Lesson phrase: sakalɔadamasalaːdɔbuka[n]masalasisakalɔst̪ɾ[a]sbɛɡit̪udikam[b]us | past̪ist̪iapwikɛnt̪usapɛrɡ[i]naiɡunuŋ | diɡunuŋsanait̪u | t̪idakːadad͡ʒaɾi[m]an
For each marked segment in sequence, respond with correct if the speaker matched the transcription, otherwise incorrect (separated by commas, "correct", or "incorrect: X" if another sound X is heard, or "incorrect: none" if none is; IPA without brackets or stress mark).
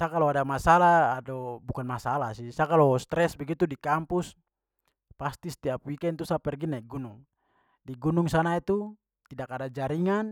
correct, incorrect: ɛ, incorrect: p, correct, incorrect: ŋ